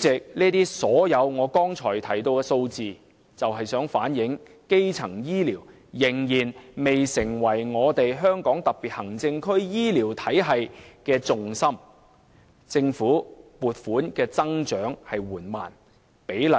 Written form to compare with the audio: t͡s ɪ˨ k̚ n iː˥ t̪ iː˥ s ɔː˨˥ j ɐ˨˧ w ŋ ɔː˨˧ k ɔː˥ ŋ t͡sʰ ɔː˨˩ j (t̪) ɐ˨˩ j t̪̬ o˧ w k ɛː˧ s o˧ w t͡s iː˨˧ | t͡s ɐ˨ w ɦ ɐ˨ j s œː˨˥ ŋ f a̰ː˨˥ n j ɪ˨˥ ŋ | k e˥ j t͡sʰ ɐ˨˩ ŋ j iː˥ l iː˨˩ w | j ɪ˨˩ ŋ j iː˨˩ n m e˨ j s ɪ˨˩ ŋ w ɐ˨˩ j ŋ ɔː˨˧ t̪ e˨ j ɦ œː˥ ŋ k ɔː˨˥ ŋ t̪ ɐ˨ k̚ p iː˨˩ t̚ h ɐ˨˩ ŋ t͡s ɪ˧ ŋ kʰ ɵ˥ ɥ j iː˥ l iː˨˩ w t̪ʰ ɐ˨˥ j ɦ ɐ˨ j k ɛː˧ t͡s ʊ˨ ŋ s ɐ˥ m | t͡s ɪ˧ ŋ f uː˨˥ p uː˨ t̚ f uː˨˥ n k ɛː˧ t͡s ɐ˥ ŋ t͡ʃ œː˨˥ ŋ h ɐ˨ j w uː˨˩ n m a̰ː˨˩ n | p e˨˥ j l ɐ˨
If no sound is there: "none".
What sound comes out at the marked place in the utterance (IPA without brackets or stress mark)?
t̪ʰ